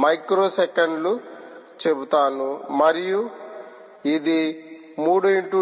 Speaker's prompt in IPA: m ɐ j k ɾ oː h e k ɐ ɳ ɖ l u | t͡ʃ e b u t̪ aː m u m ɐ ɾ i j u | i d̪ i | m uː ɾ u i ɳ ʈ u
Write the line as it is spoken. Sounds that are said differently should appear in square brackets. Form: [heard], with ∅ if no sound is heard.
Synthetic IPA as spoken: m ɐ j k ɾ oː [s] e k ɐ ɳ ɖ l u | t͡ʃ e b u t̪ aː [n] u m ɐ ɾ i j u | i d̪ i | m uː [ɽ] u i ɳ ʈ u